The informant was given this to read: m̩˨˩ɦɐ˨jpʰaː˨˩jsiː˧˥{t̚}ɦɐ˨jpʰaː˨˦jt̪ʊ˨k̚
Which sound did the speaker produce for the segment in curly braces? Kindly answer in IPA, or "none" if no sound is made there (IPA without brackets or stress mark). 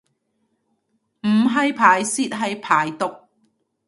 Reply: t̚